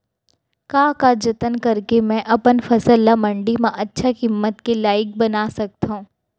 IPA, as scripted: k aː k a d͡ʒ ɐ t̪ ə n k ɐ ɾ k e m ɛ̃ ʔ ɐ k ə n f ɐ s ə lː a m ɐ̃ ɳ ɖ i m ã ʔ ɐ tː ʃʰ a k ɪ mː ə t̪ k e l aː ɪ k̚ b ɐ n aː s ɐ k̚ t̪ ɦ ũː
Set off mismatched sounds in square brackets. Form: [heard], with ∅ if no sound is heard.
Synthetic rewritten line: k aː k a d͡ʒ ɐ t̪ ə n k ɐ ɾ k e m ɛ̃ ʔ ɐ [p] ə n f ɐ s ə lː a m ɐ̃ ɳ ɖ i m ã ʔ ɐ tː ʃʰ a k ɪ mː ə t̪ k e l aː ɪ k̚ b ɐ n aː s ɐ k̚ t̪ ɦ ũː